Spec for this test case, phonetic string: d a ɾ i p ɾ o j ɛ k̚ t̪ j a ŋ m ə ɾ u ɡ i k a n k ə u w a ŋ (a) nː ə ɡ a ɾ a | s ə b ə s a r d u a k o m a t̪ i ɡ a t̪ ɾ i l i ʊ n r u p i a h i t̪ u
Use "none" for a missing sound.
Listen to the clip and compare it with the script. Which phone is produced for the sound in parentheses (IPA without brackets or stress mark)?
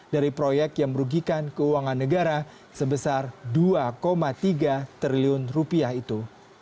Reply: a